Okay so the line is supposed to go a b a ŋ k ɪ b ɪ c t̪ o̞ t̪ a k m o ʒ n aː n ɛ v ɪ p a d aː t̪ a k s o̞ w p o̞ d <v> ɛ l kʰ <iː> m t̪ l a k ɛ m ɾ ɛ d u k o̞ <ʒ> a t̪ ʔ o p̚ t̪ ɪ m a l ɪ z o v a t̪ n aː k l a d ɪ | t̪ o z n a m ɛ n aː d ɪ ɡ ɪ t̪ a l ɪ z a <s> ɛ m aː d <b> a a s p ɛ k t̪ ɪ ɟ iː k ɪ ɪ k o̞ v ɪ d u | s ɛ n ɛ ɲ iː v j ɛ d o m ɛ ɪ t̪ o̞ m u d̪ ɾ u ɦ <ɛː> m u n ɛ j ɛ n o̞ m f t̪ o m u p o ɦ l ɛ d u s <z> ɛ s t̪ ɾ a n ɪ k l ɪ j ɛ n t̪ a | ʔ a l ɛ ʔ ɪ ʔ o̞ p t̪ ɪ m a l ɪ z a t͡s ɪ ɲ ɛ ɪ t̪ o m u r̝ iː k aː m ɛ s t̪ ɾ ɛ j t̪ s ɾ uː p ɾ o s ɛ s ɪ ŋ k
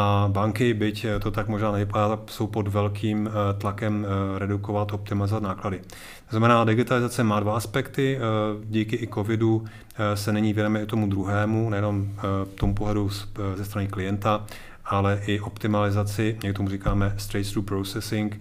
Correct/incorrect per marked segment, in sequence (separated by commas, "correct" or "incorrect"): correct, correct, incorrect, incorrect, incorrect, correct, correct